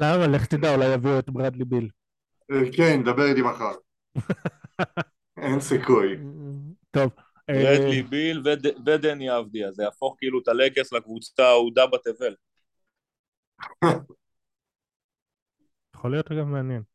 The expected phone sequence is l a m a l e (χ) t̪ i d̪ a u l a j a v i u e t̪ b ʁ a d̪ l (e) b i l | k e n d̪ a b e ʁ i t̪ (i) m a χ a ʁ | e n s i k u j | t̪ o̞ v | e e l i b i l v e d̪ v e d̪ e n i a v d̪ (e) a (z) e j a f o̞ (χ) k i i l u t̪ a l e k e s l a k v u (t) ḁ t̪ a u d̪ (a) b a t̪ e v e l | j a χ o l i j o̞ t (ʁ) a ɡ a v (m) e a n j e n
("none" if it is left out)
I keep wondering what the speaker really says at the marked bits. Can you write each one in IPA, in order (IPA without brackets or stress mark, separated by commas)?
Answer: χ, i, i, i, z, χ, t͡s, a, ʁ, m